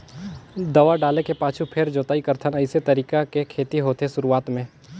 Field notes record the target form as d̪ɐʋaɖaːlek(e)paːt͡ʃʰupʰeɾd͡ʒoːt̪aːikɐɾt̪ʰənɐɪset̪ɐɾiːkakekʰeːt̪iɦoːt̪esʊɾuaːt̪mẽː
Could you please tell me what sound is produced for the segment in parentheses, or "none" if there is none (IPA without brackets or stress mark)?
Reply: e